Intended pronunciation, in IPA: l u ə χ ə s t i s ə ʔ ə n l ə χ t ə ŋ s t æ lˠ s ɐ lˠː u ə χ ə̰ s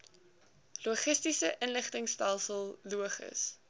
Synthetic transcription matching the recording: l u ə χ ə s t i s ə ʔ ə n l ə χ t ə ŋ s t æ lˠ s ə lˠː u ə χ ə̰ s